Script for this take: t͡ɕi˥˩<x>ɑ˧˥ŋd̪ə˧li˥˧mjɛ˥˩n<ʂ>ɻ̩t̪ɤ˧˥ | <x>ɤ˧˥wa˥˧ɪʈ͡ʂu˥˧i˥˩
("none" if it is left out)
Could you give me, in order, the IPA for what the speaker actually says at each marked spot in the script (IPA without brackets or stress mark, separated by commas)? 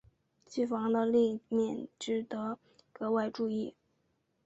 f, ʈ͡ʂ, k